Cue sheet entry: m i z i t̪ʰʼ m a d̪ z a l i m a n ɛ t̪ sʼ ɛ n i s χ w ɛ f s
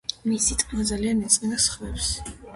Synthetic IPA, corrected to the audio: m i s i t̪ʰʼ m a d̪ z a l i a n ɛ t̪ sʼ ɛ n a s χ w ɛ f s